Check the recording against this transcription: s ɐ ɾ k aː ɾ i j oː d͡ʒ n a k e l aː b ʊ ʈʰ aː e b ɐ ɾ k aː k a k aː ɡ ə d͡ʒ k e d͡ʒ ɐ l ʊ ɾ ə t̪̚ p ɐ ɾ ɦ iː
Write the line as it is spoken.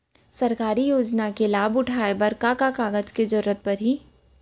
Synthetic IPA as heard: s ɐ ɾ k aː ɾ i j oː d͡ʒ n a k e l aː b ʊ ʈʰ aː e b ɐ ɾ k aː k a k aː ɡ ə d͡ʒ k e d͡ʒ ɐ ɾ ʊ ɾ ə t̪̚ p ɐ ɾ ɦ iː